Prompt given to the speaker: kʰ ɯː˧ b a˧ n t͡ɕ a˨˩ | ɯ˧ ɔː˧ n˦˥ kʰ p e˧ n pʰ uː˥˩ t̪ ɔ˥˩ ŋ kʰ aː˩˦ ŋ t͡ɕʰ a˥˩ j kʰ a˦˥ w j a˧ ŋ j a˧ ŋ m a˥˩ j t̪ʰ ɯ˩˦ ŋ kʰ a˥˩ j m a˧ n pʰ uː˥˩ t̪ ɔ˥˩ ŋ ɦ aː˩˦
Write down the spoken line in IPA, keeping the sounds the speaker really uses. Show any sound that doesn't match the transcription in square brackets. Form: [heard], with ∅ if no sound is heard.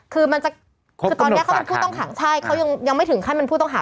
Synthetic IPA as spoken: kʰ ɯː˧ [m] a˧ n t͡ɕ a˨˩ | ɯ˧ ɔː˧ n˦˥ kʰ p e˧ n pʰ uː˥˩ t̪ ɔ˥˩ ŋ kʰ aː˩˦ ŋ t͡ɕʰ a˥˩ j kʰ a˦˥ w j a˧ ŋ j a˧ ŋ m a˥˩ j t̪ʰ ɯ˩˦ ŋ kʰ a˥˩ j m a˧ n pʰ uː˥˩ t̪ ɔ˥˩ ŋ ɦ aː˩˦